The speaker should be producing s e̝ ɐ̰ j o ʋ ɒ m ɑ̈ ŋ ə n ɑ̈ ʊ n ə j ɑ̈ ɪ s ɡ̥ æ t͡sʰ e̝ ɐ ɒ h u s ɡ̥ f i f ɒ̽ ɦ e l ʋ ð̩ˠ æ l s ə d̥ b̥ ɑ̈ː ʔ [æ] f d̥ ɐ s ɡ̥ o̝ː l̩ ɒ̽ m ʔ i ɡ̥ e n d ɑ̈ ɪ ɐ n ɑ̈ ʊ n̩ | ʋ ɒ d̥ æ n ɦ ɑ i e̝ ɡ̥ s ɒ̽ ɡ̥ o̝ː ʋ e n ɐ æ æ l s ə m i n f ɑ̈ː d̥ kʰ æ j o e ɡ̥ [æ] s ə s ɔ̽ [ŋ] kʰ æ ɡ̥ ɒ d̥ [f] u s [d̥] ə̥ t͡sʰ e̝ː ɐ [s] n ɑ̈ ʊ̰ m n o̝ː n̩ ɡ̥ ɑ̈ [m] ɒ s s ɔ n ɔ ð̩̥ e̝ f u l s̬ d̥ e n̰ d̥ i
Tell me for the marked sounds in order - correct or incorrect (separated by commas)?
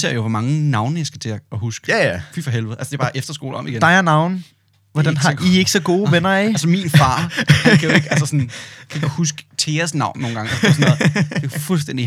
incorrect, correct, incorrect, incorrect, incorrect, correct, incorrect